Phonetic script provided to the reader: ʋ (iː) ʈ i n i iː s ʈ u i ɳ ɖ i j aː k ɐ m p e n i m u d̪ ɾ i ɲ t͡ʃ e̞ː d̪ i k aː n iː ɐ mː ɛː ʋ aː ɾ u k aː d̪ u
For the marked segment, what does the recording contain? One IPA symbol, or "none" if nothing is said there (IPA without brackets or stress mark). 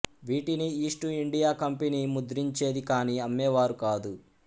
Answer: iː